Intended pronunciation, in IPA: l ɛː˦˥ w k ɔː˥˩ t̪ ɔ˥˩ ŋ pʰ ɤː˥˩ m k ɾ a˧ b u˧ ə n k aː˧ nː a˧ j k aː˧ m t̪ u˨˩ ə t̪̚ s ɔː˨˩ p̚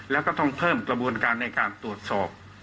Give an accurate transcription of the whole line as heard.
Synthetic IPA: l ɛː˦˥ w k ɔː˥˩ t̪ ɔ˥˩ ŋ pʰ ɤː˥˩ m k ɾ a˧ b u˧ ə n k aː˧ nː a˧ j k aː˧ n t̪ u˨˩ ə t̪̚ s ɔː˨˩ p̚